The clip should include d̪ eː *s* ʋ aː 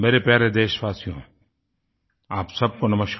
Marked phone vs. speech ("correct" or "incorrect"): incorrect